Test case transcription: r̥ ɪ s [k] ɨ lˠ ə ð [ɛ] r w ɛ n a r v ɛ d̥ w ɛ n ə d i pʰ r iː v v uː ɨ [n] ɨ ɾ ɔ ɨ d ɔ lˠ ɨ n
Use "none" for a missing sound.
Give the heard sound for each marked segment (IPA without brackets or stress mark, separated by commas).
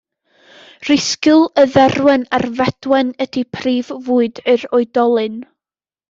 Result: k, ɛ, d